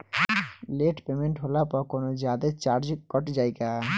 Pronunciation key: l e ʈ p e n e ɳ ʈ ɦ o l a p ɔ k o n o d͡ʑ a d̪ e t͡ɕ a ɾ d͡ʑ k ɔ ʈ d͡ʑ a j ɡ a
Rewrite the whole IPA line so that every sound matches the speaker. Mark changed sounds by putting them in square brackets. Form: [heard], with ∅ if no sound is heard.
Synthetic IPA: l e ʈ p e [m] e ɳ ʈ ɦ o l a p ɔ k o n o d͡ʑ a d̪ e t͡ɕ a ɾ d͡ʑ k ɔ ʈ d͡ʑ a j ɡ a